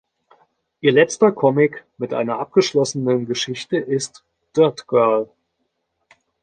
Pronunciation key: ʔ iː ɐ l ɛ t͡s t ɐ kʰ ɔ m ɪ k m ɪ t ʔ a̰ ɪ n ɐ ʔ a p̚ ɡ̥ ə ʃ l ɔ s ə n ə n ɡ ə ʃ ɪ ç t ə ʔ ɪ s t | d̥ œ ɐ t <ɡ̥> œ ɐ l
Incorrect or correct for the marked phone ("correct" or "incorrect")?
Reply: correct